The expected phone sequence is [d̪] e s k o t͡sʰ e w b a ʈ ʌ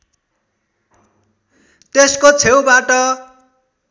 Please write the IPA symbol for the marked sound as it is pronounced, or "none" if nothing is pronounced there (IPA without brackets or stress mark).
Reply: t̪